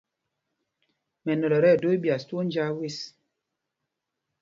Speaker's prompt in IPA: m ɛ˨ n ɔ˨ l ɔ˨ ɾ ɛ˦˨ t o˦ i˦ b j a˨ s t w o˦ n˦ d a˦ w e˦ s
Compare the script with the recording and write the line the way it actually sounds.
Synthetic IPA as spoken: m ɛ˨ n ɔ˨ l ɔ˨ ɾ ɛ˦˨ d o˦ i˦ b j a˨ s t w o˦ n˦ d͡ʒ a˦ w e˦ s